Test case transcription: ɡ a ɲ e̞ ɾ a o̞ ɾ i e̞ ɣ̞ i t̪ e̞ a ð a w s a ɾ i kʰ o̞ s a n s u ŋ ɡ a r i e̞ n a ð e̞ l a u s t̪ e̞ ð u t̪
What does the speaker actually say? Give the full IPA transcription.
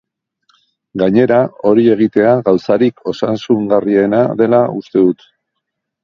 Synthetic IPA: ɡ a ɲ e̞ ɾ a o̞ ɾ i e̞ ɣ̞ i t̪ e̞ a ɣ a w s a ɾ i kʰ o̞ s a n s u ŋ ɡ a r i e̞ n a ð e̞ l a u s t̪ e̞ ð u t̪

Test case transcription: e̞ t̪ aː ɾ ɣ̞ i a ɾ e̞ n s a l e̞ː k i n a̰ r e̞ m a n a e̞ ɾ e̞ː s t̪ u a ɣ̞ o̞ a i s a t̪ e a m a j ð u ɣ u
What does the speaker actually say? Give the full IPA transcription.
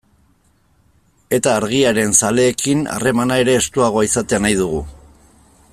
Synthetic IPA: e̞ t̪ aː ɾ ɣ̞ i a ɾ e̞ n s a l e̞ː k i n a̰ r e̞ m a n a e̞ ɾ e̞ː s t̪ u a ɣ̞ o̞ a i s a t̪ e a n a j ð u ɣ u

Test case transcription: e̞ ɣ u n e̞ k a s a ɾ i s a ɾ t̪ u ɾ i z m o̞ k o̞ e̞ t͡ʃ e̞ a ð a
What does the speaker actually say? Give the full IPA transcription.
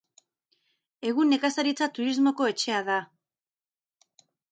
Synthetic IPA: e̞ ɣ u n e̞ k a s a ɾ i t͡s a t̪ u ɾ i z m o̞ k o̞ e̞ t͡ʃ e̞ a ð a

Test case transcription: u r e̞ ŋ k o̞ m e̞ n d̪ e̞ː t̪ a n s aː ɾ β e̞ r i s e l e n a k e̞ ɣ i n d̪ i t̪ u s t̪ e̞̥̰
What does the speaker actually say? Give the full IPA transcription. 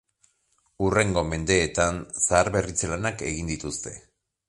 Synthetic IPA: u r e̞ ŋ ɡ o̞ m e̞ n d̪ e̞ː t̪ a n s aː ɾ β e̞ r i t͡s e l a n a k e̞ ɣ i n d̪ i t̪ u s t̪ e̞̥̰

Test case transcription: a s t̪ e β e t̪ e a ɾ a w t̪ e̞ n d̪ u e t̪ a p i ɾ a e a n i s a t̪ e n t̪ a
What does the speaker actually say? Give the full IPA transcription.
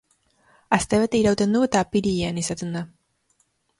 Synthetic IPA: a s t̪ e β e t̪ e i ɾ a w t̪ e̞ n d̪ u e t̪ a p i ɾ i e a n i s a t̪ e n d̪ a

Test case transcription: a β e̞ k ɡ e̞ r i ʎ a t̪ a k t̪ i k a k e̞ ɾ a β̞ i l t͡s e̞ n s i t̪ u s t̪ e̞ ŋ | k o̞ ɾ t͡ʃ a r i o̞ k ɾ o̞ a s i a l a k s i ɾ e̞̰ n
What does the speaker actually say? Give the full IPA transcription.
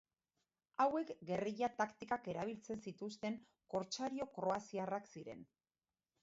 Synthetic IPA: a w e̞ k ɡ e̞ r i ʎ a t̪ a k t̪ i k a k e̞ ɾ a β̞ i l t͡s e̞ n s i t̪ u s t̪ e̞ ŋ | k o̞ ɾ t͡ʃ a ɾ i o̞ k ɾ o̞ a s i a r a k s i ɾ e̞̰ n

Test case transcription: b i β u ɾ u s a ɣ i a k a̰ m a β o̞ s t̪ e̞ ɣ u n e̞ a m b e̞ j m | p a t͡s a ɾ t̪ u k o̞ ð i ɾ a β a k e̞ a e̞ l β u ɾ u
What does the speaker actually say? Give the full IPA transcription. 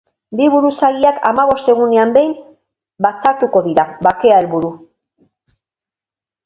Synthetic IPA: b i β u ɾ u s a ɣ i a k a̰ m a β o̞ s t̪ e̞ ɣ u n e̞ a m b e̞ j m | b a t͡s a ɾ t̪ u k o̞ ð i ɾ a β a k e̞ a e̞ l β u ɾ u

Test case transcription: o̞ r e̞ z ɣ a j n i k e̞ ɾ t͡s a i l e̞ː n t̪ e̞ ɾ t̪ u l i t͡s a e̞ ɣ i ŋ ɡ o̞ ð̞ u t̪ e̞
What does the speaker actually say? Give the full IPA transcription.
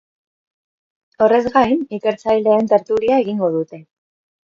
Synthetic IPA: o̞ r e̞ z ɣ a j n i k e̞ ɾ t͡s a j l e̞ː n t̪ e̞ ɾ t̪ u l i a e̞ ɣ i ŋ ɡ o̞ ð̞ u t̪ e̞

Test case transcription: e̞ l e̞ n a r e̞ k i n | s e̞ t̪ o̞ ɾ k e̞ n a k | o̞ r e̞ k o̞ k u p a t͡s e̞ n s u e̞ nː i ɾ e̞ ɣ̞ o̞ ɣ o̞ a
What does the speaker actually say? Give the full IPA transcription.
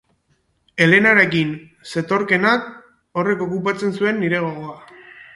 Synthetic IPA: e̞ l e̞ n a ɾ e̞ k i n | s e̞ t̪ o̞ ɾ k e̞ n a k | o̞ r e̞ k o̞ k u p a t͡s e̞ n s u e̞ nː i ɾ e̞ ɣ̞ o̞ ɣ o̞ a

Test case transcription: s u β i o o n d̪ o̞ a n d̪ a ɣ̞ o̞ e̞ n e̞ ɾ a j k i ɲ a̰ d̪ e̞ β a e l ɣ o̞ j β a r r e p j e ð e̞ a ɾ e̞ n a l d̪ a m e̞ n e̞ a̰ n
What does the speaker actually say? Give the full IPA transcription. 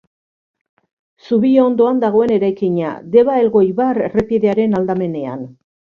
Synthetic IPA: s u β i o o n d̪ o̞ a n d̪ a ɣ̞ o̞ e̞ n e̞ ɾ a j k i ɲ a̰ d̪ e̞ β a e l ɣ o̞ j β a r r e p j e ð e̞ a ɾ e̞ n a l d̪ a m e̞ n e̞ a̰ n

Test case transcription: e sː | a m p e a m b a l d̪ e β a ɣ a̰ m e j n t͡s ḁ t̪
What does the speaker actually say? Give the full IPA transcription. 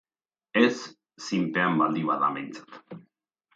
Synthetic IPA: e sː | i m p e a m b a l d̪ i β a ð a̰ m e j n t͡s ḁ t̪

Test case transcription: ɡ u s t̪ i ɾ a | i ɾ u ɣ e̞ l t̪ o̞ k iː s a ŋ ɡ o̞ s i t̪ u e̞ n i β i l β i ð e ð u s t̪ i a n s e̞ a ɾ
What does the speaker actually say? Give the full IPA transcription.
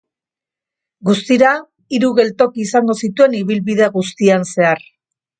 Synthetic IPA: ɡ u s t̪ i ɾ a | i ɾ u ɣ e̞ l t̪ o̞ k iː s a ŋ ɡ o̞ s i t̪ u e̞ n i β i l β i ð e ɣ u s t̪ i a n s e̞ a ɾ

